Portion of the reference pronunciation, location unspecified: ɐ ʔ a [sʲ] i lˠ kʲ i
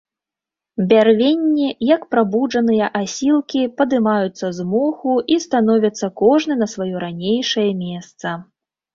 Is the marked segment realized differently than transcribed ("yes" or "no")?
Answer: no